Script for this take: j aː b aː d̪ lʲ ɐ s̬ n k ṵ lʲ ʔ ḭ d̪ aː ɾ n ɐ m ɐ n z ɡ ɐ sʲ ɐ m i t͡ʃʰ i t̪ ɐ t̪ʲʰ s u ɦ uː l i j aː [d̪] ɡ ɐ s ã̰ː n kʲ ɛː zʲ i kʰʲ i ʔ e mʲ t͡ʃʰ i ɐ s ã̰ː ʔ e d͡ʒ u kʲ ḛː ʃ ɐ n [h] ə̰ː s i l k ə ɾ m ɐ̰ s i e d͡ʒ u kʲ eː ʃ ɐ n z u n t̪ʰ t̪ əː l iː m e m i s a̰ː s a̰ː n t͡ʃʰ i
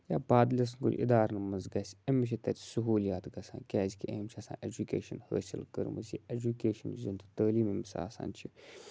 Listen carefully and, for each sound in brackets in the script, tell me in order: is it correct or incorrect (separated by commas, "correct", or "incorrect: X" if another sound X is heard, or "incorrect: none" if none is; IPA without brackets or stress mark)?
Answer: incorrect: t̪, correct